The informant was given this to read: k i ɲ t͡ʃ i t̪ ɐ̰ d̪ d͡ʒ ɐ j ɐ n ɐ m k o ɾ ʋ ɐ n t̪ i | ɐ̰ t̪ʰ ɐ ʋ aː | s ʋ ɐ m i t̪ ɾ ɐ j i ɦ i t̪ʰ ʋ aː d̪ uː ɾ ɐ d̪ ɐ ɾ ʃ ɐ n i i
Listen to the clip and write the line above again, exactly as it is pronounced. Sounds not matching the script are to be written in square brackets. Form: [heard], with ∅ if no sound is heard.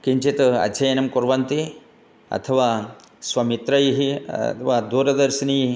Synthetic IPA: k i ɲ t͡ʃ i t̪ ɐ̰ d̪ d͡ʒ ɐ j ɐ n ɐ m k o ɾ ʋ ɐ n t̪ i | ɐ̰ t̪ʰ ɐ ʋ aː | s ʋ ɐ m i t̪ ɾ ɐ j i ɦ i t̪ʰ ʋ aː d̪ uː ɾ ɐ d̪ ɐ ɾ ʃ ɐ n i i